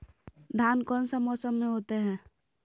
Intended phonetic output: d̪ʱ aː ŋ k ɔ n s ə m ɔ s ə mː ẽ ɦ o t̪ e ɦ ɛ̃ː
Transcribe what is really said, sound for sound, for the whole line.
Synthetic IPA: d̪ʱ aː n k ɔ n s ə m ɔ s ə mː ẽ ɦ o t̪ e ɦ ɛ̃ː